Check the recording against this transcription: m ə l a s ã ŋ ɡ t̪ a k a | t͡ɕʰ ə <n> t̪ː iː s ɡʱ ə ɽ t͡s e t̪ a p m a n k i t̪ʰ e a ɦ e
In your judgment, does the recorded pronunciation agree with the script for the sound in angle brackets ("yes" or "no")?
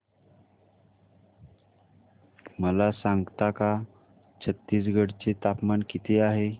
no